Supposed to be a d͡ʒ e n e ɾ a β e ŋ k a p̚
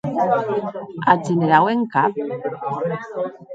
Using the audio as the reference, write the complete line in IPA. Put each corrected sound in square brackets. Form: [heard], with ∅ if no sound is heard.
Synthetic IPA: a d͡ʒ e n e ɾ a [w] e ŋ k a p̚